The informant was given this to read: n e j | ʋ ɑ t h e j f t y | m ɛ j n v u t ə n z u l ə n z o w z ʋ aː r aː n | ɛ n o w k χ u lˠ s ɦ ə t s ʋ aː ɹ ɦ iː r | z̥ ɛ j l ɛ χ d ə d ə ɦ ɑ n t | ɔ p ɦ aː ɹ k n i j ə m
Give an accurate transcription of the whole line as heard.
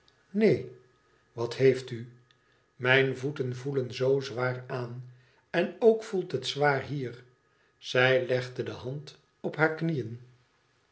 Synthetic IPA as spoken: n e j | ʋ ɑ t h e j f t y | m ɛ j n v u t ə n v u l ə n z o w z ʋ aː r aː n | ɛ n o w k f u lˠ t ɦ ə t s ʋ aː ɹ ɦ iː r | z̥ ɛ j l ɛ χ d ə d ə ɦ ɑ n t | ɔ p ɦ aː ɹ k n i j ə n

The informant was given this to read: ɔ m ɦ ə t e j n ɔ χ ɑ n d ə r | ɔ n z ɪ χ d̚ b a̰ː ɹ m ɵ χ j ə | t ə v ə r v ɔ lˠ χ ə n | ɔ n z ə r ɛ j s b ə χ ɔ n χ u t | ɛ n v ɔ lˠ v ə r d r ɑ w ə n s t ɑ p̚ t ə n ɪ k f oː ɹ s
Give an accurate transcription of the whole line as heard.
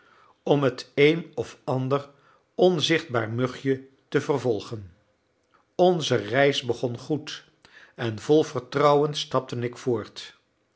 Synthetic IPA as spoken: ɔ m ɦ ə t e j n ɔ f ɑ n d ə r | ɔ n z ɪ χ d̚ b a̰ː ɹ m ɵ χ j ə | t ə v ə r v ɔ lˠ χ ə n | ɔ n z ə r ɛ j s b ə χ ɔ n χ u t | ɛ n v ɔ lˠ v ə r t r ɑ w ə n s t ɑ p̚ t ə n ɪ k f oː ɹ t

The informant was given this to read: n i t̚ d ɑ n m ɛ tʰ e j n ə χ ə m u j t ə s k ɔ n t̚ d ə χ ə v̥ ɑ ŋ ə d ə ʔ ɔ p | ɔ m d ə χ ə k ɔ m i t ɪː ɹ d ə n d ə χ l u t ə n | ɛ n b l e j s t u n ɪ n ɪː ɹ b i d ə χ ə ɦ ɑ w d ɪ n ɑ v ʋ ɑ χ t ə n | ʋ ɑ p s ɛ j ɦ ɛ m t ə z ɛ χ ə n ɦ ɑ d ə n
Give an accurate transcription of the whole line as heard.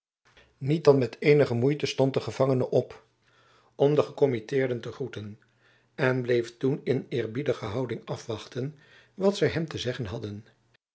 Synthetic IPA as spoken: n i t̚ d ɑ n m ɛ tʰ e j n ə χ ə m u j t ə s t ɔ n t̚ d ə χ ə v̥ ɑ ŋ ə n ə ʔ ɔ p | ɔ m d ə χ ə k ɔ m i t ɪː ɹ d ə n t ə χ r u t ə n | ɛ n b l e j f t u n ɪ n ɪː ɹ b i d ə χ ə ɦ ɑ w d ɪ ŋ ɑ f ʋ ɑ χ t ə n | ʋ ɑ t s ɛ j ɦ ɛ m t ə z ɛ χ ə n ɦ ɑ d ə n

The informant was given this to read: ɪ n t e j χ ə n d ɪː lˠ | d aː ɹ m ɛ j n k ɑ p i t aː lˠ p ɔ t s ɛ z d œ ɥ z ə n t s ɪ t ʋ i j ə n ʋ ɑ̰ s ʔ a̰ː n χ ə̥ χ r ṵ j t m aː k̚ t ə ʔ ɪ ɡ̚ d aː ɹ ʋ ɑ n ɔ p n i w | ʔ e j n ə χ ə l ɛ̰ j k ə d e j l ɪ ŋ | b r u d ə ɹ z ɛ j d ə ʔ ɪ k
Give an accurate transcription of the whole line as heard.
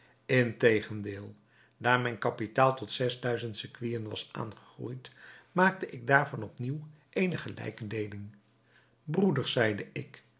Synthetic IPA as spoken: ɪ n t e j χ ə n d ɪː lˠ | d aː ɹ m ɛ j n k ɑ p i t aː lˠ t ɔ t s ɛ z d œ ɥ z ə n t s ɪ k ʋ i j ə n ʋ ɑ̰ s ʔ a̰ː n χ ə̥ χ r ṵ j t m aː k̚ t ə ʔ ɪ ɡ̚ d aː ɹ v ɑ n ɔ p n i w | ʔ e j n ə χ ə l ɛ̰ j k ə d e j l ɪ ŋ | b r u d ə ɹ s ɛ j d ə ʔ ɪ k

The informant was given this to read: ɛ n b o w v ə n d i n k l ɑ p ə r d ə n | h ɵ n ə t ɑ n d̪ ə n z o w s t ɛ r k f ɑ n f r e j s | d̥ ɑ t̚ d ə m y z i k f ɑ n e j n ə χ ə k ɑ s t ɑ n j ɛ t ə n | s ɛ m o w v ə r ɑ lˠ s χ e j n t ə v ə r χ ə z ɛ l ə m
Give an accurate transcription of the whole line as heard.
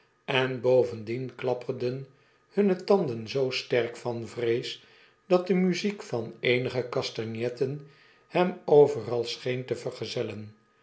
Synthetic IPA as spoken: ɛ n b o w v ə n d i n k l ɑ p ə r d ə n | h ɵ n ə t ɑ n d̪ ə n z o w s t ɛ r k f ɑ n v r e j s | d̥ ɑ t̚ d ə m y z i k f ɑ n e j n ə χ ə k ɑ s t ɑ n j ɛ t ə n | h ɛ m o w v ə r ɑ lˠ s χ e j n t ə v ə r χ ə z ɛ l ə n

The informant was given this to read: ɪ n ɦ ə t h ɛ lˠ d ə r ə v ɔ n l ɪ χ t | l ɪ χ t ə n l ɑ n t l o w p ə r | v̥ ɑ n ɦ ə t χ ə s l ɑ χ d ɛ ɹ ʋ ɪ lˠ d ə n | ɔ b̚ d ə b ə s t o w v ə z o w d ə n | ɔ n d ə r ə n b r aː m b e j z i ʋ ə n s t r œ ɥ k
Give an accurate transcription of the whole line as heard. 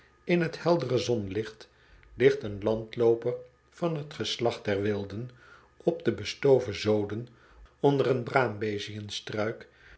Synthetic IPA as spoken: ɪ n ɦ ə t h ɛ lˠ d ə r ə z ɔ n l ɪ χ t | l ɪ χ t ə n l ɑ n t l o w p ə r | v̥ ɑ n ɦ ə t χ ə s l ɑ χ d ɛ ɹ ʋ ɪ lˠ d ə n | ɔ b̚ d ə b ə s t o w v ə z o w d ə n | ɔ n d ə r ə n b r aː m b e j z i ə n s t r œ ɥ k

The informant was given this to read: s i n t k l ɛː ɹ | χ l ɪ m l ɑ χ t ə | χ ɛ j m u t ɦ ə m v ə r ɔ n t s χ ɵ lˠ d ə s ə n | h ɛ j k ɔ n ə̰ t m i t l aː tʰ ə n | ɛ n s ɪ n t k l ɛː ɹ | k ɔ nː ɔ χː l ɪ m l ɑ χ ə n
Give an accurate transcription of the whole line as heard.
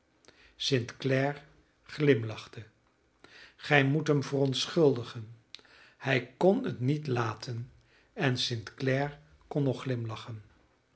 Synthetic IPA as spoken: s ɪ n t k l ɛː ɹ | χ l ɪ m l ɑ χ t ə | χ ɛ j m u t ɦ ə m v ə r ɔ n t s χ ɵ lˠ d ə χ ə n | h ɛ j k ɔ n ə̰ t n i t l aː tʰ ə n | ɛ n s ɪ n t k l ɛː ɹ | k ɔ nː ɔ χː l ɪ m l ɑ χ ə n

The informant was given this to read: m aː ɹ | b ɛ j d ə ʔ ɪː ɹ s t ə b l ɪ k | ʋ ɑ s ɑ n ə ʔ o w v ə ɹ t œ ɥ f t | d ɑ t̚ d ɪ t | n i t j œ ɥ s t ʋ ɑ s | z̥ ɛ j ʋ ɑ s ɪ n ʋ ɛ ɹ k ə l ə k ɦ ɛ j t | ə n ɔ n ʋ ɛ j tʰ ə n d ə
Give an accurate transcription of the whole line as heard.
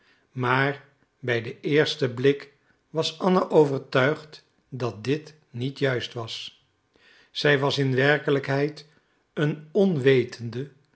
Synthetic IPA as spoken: m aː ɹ | b ɛ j d ə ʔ ɪː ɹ s t ə b l ɪ k | ʋ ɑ s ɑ n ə ʔ o w v ə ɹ t œ ɥ χ t | d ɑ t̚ d ɪ t | n i t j œ ɥ s t ʋ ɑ s | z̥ ɛ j ʋ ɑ s ɪ n ʋ ɛ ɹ k ə l ə k ɦ ɛ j t | ə n ɔ n ʋ e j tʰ ə n d ə

